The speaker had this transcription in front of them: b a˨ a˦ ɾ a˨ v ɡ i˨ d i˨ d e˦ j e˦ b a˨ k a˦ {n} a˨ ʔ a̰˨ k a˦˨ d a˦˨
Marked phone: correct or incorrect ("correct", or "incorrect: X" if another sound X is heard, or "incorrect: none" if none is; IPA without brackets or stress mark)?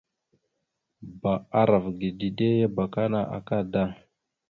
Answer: correct